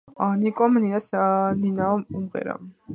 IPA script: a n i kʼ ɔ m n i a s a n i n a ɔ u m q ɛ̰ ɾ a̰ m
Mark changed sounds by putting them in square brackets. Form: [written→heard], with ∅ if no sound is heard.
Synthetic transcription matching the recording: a n i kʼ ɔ m n i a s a n i n a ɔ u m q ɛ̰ ɾ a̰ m